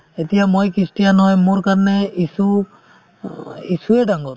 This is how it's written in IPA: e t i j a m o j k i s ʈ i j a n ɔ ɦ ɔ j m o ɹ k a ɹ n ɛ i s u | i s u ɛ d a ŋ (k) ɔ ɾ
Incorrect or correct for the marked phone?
incorrect: ɡ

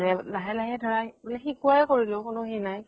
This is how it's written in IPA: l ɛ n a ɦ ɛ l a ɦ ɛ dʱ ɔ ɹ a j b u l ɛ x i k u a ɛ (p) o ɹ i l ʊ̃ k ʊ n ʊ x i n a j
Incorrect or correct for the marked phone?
incorrect: k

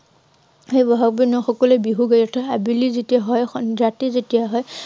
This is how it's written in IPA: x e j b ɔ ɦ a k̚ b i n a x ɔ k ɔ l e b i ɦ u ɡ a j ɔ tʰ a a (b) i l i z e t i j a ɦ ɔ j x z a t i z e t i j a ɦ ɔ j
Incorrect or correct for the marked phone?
correct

